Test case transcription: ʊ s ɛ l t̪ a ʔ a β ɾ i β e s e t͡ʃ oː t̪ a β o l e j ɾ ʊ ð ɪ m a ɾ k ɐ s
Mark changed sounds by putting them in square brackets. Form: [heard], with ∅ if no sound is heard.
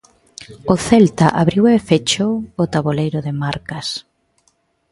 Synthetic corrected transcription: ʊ [θ] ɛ l t̪ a ʔ a β ɾ i [w] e [f] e t͡ʃ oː t̪ a β o l e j ɾ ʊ ð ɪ m a ɾ k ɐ s